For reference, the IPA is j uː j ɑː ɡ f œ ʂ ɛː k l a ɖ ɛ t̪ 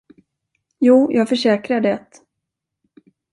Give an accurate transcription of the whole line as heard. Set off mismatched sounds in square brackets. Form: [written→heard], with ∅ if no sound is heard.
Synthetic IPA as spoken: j uː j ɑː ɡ f œ ʂ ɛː k [l→ɾ] a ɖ ɛ t̪

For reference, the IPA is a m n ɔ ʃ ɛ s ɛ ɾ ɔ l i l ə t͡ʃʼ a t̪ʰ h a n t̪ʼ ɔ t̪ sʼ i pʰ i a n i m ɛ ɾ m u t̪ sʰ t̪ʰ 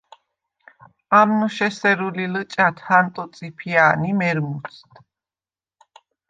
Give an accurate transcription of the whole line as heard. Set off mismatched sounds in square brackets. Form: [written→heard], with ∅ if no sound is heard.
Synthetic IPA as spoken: a m n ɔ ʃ ɛ s ɛ ɾ [ɔ→u] l i l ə t͡ʃʼ a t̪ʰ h a n t̪ʼ ɔ t̪ sʼ i pʰ i a n i m ɛ ɾ m u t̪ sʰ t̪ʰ

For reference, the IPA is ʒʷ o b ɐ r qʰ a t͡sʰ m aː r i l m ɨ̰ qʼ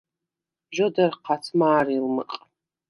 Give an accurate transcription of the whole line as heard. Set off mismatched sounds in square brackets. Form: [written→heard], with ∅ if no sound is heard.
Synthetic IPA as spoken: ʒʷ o [b→d] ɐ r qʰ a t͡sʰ m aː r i l m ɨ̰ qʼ

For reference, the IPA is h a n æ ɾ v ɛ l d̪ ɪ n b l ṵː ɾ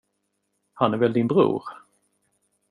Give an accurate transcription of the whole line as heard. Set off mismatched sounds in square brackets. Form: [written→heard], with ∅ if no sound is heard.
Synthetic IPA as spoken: h a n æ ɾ v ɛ l d̪ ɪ n b [l→ɾ] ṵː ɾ

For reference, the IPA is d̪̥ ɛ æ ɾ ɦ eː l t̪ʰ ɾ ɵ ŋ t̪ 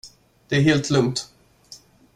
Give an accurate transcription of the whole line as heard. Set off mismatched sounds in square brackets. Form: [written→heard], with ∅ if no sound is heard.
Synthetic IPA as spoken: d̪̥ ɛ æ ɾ ɦ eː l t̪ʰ [ɾ→l] ɵ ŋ t̪

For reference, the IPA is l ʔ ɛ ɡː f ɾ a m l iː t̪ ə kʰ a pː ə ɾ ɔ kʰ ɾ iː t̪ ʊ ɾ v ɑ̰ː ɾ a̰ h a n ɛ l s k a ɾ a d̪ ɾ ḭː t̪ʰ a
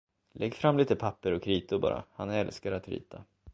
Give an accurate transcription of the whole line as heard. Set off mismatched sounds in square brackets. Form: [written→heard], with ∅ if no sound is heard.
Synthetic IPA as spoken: l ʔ ɛ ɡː f ɾ a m l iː t̪ ə [kʰ→pʰ] a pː ə ɾ ɔ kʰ ɾ iː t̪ ʊ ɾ [v→b] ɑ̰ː ɾ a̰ h a n ɛ l s k a ɾ a [d̪→t̪] ɾ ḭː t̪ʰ a

